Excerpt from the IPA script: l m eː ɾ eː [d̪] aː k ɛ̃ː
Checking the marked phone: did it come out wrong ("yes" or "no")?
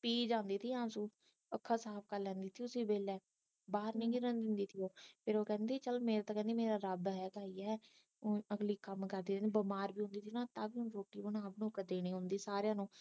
yes